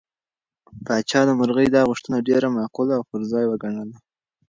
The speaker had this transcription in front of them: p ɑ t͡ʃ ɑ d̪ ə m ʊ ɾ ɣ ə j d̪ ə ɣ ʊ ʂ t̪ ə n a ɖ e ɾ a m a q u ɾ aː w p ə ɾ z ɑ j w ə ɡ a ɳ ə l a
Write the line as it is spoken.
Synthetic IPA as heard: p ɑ t͡ʃ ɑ d̪ ə m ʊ ɾ ɣ ə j d̪ ɑ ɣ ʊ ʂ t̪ ə n a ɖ e ɾ a m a q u l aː w p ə ɾ z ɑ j w ə ɡ a ɳ ə l a